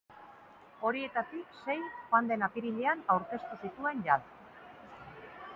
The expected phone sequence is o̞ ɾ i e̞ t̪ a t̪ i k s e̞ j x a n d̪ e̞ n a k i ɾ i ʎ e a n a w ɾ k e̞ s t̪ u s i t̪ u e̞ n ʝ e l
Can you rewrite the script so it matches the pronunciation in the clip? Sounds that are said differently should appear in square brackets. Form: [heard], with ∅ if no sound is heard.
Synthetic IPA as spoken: o̞ ɾ i e̞ t̪ a t̪ i k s e̞ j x a n d̪ e̞ n a [p] i ɾ i ʎ e a n a w ɾ k e̞ s t̪ u s i t̪ u e̞ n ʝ [a] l